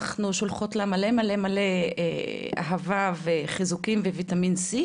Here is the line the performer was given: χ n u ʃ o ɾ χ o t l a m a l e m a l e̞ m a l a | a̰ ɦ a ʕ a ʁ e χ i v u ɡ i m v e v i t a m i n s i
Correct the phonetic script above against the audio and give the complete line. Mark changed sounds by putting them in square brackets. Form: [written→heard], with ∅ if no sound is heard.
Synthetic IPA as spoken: χ n u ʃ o [ɾ→l] χ o t l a m a l e m a l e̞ m a l [a→e] | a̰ ɦ a [ʕ→v] a [ʁ→v] e χ i [v→z] u [ɡ→k] i m v e v i t a m i n s i